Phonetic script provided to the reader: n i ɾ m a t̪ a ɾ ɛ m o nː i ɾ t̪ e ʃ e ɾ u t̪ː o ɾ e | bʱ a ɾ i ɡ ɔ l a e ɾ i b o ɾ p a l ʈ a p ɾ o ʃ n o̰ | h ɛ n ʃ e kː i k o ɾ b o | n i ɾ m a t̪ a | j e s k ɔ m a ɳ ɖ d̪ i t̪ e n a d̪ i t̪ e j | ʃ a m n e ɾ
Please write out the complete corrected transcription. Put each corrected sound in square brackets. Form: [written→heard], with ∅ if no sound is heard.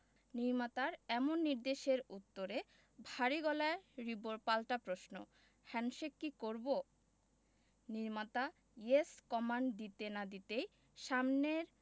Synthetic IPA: n i ɾ m a t̪ a ɾ ɛ m o nː i ɾ [t̪→d̪] e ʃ e ɾ u t̪ː o ɾ e | bʱ a ɾ i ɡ ɔ l a e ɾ i b o ɾ p a l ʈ a p ɾ o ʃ n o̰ | h ɛ n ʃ e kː i k o ɾ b o | n i ɾ m a t̪ a | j e s k ɔ m a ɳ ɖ d̪ i t̪ e n a d̪ i t̪ e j | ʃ a m n e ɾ